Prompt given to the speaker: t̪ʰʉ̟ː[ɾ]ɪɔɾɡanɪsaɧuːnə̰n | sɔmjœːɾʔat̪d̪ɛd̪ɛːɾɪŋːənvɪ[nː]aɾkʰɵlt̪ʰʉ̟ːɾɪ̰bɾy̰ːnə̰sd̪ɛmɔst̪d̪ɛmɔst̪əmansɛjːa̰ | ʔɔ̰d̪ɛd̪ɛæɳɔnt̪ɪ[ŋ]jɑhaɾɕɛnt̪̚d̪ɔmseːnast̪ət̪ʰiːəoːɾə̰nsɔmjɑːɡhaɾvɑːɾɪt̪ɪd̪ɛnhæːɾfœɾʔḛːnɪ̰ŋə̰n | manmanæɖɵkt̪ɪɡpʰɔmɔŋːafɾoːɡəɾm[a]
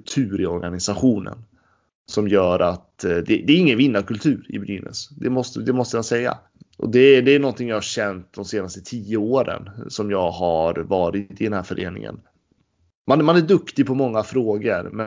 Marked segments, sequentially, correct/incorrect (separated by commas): correct, correct, correct, incorrect